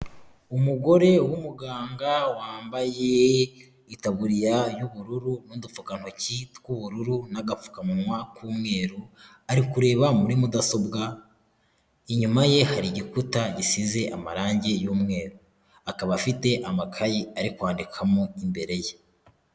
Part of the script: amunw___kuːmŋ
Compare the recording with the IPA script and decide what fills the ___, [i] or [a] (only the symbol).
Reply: a